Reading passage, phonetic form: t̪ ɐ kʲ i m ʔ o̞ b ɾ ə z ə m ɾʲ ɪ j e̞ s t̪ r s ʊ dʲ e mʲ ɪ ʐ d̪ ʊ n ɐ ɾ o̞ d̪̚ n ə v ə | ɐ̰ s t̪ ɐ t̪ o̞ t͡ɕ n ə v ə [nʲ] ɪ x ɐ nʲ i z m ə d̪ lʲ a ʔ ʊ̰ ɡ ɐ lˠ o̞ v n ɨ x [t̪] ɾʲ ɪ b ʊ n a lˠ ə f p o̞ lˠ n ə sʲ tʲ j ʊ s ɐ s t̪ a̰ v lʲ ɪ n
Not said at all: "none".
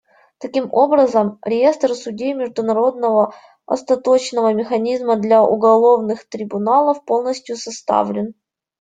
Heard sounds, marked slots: mʲ, t̪

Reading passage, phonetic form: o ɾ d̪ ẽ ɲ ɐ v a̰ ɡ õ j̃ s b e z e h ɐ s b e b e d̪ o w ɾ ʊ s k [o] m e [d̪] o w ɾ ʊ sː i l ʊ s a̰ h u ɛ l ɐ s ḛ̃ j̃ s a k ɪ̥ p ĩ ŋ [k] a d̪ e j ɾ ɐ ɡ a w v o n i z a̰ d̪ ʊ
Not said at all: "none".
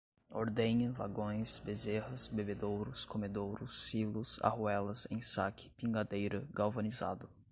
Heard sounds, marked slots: o, d̪, ɡ

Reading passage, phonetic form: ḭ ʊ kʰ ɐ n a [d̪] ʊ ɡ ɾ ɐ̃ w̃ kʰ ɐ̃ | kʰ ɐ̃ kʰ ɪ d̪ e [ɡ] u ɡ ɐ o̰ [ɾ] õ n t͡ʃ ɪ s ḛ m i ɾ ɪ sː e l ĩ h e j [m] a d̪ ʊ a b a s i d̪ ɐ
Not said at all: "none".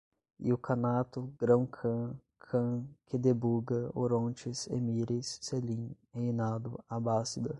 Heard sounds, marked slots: t̪, b, ɾ, n

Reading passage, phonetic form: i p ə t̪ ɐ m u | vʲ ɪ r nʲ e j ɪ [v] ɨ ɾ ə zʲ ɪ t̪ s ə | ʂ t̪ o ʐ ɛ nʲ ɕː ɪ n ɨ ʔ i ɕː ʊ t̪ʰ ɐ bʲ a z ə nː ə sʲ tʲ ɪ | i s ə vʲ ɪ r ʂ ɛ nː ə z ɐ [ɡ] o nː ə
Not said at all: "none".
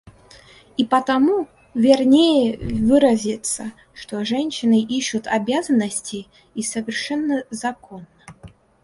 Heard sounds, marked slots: v, k

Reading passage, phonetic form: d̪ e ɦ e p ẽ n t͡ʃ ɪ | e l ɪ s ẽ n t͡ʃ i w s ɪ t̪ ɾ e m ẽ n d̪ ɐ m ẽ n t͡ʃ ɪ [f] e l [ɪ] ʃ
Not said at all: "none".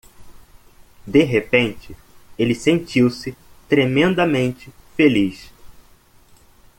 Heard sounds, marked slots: f, i

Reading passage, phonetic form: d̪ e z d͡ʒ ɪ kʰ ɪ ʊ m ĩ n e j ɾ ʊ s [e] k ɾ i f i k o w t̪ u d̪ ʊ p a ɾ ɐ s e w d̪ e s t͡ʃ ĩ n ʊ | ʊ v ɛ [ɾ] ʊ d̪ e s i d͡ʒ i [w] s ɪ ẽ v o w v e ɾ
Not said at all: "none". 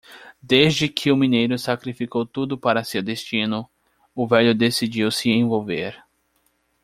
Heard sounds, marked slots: a, ʎ, w

